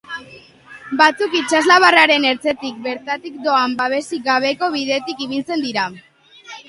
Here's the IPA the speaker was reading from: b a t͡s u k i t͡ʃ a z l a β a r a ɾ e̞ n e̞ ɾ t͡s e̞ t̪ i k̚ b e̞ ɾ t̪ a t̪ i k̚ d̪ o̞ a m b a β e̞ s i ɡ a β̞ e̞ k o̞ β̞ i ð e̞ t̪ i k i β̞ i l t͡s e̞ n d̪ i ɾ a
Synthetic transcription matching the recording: b a t͡s u k i t͡ʃ a z l a β a r a ɾ e̞ n e̞ ɾ t͡s e̞ t̪ i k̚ b e̞ ɾ t̪ a t̪ i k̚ d̪ o̞ a m b a β e̞ s i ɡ a β̞ e̞ k o̞ β̞ i ð e̞ t̪ i k i β̞ i l t͡s e̞ n d̪ i ɾ a